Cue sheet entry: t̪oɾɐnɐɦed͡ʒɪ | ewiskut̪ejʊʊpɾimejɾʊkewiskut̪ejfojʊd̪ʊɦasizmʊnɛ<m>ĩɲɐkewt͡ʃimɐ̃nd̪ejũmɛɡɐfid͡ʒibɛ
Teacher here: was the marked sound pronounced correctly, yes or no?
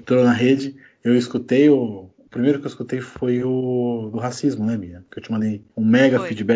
yes